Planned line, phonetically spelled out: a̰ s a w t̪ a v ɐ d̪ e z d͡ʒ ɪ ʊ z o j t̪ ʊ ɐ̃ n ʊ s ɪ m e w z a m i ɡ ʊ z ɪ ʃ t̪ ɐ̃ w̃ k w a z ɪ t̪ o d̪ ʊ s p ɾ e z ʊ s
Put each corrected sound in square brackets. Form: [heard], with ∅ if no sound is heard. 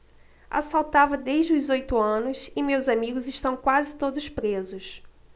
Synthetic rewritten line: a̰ s a w t̪ a v ɐ d̪ e [ʒ] d͡ʒ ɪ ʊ z o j t̪ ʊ ɐ̃ n ʊ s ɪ m e w z a m i ɡ ʊ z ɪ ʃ t̪ ɐ̃ w̃ k w a z ɪ t̪ o d̪ ʊ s p ɾ e z ʊ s